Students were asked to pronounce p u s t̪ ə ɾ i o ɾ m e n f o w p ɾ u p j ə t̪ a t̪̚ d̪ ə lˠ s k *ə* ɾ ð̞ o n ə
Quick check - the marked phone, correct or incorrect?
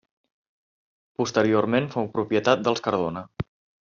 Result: correct